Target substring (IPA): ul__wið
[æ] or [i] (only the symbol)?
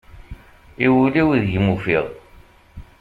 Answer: i